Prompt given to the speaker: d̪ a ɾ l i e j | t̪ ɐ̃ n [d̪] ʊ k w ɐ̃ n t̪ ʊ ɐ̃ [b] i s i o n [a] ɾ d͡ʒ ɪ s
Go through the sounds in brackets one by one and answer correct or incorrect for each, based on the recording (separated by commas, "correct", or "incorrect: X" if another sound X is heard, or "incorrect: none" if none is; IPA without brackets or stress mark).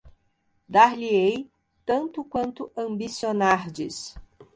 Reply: incorrect: t̪, correct, correct